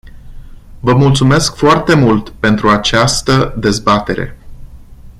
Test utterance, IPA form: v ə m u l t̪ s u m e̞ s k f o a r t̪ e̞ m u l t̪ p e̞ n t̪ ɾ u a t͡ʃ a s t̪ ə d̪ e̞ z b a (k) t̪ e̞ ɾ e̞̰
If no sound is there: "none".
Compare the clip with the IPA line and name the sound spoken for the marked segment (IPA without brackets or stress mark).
none